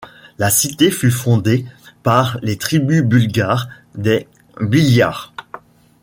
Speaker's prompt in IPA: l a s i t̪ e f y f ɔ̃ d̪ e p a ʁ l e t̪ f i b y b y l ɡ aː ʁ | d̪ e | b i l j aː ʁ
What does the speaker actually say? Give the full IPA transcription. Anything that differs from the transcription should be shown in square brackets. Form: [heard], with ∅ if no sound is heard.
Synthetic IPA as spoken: l a s i t̪ e f y f ɔ̃ d̪ e p a ʁ l e t̪ [χ] i b y b y l ɡ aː ʁ | d̪ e | b i l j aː ʁ